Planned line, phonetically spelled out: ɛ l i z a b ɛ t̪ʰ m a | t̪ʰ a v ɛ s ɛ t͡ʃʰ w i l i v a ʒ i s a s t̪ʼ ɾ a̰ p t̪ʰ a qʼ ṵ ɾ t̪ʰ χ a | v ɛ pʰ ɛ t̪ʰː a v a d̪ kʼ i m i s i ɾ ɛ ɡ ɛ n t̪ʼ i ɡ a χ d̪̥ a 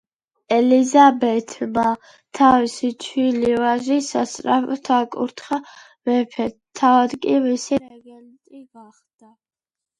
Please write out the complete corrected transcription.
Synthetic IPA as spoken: ɛ l i z a b ɛ t̪ʰ m a | t̪ʰ a v i s i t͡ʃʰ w i l i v a ʒ i s a s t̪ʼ ɾ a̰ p t̪ʰ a kʼ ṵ ɾ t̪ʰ χ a | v ɛ pʰ ɛ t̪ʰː a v a d̪ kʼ i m i s i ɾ ɛ ɡ ɛ n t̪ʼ i ɡ a χ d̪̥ a